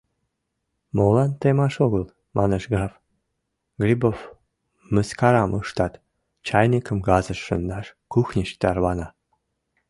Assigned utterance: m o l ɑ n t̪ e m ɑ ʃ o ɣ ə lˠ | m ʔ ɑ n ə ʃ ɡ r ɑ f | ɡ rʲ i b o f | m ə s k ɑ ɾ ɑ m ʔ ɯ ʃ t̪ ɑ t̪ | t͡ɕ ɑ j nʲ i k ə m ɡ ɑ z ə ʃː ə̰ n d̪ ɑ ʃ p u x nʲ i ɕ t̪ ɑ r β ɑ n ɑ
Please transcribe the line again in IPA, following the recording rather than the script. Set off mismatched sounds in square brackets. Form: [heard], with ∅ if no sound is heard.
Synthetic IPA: m o l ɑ n t̪ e m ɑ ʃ o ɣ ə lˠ | m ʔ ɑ n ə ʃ ɡ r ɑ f | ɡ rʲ i b o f | m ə s k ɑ ɾ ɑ m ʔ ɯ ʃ t̪ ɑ t̪ | t͡ɕ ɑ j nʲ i k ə m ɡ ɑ z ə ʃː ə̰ n d̪ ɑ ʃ [k] u x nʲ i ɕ t̪ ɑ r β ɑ n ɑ